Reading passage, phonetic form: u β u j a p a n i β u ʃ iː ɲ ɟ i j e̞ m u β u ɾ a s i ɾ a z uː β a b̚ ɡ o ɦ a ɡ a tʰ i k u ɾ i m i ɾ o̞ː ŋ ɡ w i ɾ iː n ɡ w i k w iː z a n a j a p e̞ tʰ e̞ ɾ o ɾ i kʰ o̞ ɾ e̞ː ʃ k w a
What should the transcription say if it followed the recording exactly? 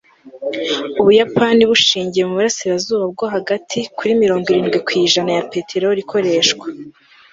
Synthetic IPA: u β u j a p a n i β u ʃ iː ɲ ɟ i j e̞ m u β u ɾ a s i ɾ a z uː β a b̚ ɡ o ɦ a ɡ a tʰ i k u ɾ i m i ɾ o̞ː ŋ ɡ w i ɾ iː n ɡ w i k w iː ʒ a n a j a p e̞ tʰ e̞ ɾ o ɾ i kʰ o̞ ɾ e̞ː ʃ k w a